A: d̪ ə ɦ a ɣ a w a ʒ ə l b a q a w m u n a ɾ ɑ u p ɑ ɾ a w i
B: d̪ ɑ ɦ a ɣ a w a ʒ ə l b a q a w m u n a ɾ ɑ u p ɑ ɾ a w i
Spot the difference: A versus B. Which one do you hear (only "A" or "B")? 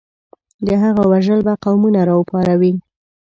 A